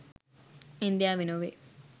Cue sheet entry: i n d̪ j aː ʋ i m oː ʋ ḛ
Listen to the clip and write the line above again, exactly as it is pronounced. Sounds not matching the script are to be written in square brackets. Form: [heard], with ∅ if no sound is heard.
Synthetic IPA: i n d̪ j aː ʋ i [n] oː ʋ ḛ